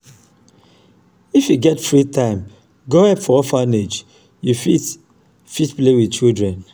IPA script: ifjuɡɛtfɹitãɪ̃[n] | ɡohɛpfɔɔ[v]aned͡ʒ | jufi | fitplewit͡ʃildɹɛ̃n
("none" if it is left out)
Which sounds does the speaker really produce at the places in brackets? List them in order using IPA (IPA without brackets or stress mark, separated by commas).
m, f